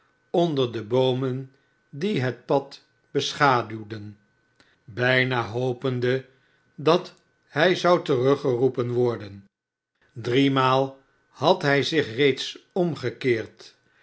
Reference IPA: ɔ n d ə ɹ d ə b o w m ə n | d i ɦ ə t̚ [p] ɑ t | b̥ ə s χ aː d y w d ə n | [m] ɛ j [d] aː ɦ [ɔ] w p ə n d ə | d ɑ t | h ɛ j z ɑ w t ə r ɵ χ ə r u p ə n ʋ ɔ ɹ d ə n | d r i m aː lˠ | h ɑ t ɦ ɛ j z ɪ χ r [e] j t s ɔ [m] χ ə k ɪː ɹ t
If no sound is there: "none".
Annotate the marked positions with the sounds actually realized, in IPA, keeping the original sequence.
p, b, n, o, e, m

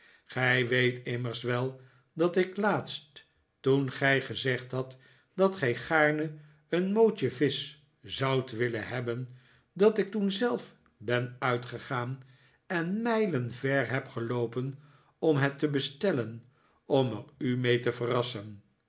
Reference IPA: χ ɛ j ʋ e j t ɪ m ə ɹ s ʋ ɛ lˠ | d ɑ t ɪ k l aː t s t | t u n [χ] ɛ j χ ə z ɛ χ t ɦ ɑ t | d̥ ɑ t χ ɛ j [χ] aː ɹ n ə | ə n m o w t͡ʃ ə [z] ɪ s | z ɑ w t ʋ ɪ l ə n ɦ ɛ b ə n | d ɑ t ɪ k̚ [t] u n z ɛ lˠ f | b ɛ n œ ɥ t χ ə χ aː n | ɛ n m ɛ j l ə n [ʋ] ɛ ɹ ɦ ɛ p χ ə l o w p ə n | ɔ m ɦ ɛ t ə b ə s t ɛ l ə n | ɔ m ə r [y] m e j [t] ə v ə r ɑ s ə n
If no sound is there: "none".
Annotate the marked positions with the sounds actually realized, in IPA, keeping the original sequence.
χ, χ, v, t, v, y, t

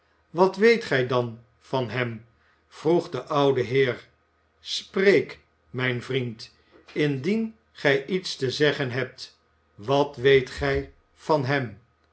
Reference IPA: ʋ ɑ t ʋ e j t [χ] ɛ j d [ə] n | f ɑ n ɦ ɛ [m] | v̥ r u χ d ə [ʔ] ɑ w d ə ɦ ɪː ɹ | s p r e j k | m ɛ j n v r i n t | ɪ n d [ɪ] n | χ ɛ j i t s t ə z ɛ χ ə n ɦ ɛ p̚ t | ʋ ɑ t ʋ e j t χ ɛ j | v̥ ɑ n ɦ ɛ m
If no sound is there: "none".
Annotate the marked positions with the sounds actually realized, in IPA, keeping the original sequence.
χ, ɑ, m, ʔ, i

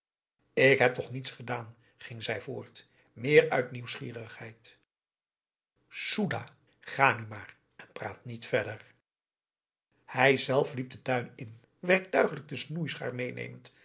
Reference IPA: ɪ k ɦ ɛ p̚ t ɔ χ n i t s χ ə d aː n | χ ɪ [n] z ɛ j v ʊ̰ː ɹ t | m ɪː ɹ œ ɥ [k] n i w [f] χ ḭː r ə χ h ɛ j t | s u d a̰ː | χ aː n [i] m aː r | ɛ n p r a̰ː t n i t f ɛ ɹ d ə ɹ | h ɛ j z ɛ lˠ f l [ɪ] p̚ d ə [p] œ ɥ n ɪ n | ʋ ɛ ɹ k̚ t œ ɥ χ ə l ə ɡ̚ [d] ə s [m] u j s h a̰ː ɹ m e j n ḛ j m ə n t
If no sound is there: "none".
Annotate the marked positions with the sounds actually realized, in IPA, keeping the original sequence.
ŋ, t, s, y, i, t, d, n

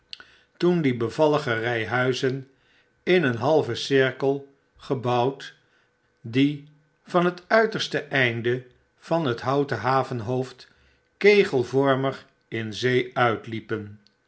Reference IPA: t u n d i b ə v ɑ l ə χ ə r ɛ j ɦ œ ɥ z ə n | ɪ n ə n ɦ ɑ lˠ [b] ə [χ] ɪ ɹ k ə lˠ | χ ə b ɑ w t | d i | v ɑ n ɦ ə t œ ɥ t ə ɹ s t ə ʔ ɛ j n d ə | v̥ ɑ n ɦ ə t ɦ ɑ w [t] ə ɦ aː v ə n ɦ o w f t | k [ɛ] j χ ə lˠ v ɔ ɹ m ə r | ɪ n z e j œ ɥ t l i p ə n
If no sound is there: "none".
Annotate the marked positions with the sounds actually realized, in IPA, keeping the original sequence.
v, s, t, e

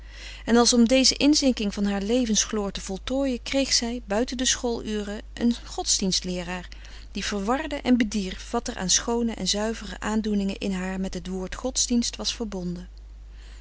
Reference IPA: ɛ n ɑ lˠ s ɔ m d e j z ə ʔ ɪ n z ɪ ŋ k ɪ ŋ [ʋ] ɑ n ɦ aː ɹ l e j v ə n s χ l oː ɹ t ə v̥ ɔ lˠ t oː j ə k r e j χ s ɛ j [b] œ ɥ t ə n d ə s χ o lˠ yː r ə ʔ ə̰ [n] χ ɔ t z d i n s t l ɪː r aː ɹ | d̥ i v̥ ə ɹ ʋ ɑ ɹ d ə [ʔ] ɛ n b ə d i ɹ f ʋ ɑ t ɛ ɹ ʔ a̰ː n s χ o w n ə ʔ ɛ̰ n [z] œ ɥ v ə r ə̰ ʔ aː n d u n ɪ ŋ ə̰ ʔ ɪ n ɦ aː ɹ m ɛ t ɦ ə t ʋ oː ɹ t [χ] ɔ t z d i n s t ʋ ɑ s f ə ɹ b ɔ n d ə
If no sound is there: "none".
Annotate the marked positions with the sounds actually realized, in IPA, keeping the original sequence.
v, b, n, ʔ, z, χ

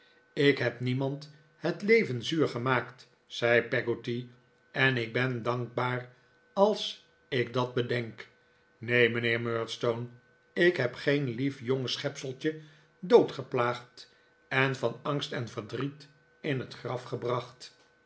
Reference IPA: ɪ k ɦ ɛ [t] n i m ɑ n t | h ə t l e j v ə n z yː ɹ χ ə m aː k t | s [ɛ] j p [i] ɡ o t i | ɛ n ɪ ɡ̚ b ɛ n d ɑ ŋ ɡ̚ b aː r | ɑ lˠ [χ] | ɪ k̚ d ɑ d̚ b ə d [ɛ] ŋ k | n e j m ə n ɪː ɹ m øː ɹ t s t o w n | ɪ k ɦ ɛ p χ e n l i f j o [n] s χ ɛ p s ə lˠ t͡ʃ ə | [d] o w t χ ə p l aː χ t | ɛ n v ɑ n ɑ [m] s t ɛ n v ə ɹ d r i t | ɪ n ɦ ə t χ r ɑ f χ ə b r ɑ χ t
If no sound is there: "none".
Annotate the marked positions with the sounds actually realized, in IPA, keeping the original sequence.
p, ɛ, ɛ, s, ɛ, ŋ, d, ŋ

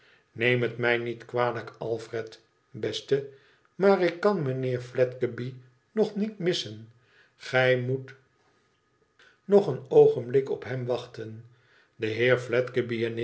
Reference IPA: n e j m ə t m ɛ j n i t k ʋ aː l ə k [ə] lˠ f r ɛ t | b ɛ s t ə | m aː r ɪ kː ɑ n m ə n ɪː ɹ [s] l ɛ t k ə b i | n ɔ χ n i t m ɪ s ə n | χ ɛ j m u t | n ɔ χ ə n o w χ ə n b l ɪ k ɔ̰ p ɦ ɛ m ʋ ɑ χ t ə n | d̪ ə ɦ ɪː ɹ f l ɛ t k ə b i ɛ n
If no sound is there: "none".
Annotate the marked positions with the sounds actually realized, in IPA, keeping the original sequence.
ɑ, f

